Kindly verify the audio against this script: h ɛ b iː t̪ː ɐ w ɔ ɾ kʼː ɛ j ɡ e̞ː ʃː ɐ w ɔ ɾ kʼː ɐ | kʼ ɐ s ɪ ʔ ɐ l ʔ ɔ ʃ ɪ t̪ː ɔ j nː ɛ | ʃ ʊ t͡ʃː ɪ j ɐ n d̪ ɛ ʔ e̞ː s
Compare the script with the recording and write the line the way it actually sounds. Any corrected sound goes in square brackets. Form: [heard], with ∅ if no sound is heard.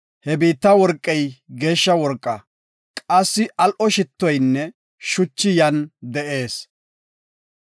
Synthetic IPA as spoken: h ɛ b iː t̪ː ɐ w ɔ ɾ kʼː ɛ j ɡ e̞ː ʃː ɐ w ɔ ɾ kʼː ɐ | kʼ ɐ [sː] ɪ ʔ ɐ l ʔ ɔ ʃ ɪ t̪ː ɔ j nː ɛ | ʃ ʊ t͡ʃː ɪ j ɐ n d̪ ɛ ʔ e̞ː s